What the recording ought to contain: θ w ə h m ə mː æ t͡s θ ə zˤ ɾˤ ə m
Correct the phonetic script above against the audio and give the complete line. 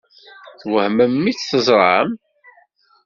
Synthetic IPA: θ w ə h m ə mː i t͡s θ ə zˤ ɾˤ ə m